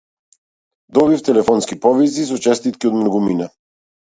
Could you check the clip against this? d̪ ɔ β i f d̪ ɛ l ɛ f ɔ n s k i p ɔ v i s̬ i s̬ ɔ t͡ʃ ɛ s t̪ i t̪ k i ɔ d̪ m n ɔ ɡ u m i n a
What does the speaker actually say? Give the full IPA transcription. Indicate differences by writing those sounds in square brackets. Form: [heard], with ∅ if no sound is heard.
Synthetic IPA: d̪ ɔ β i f [t̪] ɛ l ɛ f ɔ n s k i p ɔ v i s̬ i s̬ ɔ t͡ʃ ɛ s t̪ i t̪ k i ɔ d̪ m n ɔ ɡ u m i n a